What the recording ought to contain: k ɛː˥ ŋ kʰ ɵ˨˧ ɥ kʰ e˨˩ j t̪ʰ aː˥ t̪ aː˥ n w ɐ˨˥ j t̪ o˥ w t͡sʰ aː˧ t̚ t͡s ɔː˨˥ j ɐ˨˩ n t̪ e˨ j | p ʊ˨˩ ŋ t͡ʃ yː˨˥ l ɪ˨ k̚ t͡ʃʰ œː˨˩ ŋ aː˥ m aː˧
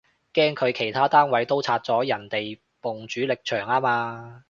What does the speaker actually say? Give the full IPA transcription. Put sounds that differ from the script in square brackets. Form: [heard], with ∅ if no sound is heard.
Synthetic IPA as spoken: k ɛː˥ ŋ kʰ ɵ˨˧ ɥ kʰ e˨˩ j t̪ʰ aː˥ t̪ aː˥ n w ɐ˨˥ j t̪ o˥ w t͡sʰ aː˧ t̚ t͡s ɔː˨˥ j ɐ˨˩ n t̪ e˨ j | p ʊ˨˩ ŋ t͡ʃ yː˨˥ l ɪ˨ k̚ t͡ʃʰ œː˨˩ ŋ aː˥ m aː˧